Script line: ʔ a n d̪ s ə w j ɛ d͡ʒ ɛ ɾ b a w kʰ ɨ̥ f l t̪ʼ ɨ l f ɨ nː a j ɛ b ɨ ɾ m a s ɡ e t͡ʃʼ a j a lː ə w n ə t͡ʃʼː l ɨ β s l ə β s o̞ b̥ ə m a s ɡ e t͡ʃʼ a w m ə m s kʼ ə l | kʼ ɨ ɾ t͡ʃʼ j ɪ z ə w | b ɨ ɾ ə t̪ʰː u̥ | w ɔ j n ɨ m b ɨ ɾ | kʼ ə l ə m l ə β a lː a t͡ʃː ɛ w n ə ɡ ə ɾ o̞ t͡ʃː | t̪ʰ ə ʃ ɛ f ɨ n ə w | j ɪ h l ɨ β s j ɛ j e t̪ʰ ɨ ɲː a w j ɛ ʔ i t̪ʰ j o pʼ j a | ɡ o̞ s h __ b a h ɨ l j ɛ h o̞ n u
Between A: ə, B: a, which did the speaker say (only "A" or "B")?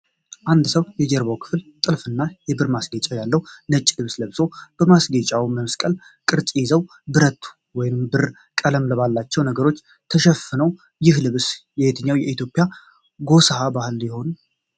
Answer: B